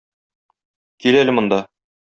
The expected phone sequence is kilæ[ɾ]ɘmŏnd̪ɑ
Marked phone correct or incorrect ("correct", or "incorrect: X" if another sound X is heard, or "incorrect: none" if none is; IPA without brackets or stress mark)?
incorrect: l